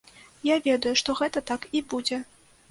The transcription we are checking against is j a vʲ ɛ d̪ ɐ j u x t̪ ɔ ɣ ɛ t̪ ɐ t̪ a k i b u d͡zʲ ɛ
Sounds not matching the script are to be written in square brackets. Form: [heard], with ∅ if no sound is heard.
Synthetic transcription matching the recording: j a vʲ ɛ d̪ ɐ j u [ʂ] t̪ ɔ ɣ ɛ t̪ ɐ t̪ a k i b u d͡zʲ ɛ